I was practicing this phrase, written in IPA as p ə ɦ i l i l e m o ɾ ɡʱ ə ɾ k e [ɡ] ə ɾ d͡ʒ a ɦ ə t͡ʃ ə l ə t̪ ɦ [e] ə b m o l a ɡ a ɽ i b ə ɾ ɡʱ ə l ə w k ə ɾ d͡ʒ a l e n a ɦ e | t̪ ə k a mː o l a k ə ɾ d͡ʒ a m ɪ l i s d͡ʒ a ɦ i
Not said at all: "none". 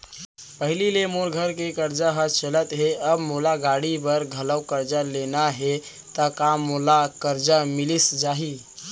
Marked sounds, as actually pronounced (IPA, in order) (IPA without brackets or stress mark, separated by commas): k, e